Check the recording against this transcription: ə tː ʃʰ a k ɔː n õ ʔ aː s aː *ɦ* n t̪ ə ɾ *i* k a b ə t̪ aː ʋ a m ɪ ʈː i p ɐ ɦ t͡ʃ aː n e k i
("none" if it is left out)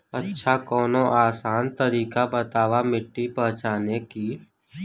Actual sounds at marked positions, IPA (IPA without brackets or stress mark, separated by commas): none, iː